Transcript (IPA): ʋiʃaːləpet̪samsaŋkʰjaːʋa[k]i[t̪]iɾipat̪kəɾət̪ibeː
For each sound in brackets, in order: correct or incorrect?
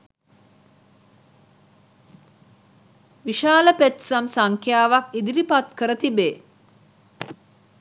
correct, incorrect

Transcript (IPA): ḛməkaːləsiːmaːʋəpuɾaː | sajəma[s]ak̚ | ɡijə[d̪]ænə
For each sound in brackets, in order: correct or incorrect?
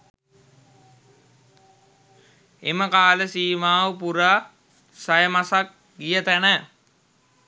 correct, incorrect

